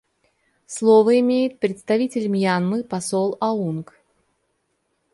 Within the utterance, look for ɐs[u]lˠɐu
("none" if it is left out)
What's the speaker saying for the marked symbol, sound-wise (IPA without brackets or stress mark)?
o